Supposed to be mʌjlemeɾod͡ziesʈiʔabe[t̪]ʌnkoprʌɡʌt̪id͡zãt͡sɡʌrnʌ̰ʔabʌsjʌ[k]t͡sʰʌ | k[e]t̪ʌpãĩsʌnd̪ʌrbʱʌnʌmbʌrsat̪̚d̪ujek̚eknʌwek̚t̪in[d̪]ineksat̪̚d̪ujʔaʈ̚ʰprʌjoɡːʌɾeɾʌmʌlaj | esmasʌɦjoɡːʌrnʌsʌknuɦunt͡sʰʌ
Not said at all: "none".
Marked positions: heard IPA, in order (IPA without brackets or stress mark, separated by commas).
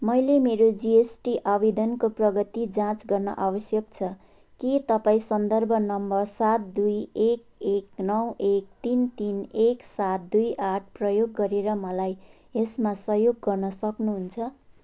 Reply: d̪, k, i, t̪